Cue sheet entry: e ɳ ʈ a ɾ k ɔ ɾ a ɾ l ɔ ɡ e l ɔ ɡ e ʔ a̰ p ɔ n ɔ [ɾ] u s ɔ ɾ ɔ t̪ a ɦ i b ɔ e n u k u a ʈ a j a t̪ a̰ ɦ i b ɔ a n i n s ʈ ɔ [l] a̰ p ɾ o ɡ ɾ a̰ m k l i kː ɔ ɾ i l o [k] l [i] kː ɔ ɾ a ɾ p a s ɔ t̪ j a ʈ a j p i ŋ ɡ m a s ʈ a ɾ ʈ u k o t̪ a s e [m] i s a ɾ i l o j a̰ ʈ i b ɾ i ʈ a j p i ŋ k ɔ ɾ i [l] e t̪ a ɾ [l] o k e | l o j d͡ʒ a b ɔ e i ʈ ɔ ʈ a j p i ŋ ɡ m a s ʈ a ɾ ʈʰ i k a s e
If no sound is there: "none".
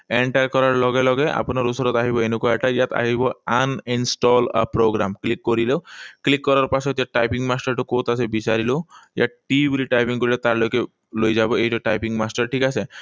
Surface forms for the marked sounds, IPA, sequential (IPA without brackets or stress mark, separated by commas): ɾ, l, k, i, b, l, l